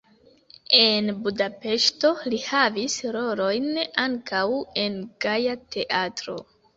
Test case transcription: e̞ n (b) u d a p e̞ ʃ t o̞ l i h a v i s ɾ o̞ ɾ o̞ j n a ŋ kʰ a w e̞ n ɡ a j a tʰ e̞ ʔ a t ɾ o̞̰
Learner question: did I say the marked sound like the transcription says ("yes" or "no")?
yes